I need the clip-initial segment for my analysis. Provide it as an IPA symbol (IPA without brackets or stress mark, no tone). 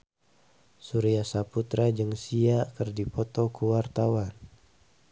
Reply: s